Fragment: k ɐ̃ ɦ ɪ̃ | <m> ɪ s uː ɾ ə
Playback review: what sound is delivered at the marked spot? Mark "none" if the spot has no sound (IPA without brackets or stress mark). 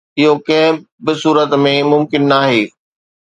b